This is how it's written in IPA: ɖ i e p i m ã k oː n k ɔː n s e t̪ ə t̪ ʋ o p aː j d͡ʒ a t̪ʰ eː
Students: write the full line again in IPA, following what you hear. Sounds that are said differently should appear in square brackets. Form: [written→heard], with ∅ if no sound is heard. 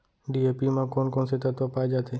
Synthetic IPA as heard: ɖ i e p i m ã k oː n k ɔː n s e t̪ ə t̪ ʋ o p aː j d͡ʒ a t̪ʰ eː